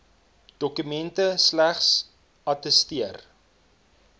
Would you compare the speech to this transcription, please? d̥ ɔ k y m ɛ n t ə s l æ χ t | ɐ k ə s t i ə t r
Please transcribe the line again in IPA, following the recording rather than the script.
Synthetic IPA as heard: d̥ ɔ k y m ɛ n t ə s l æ χ s | ɐ t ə s t i ə r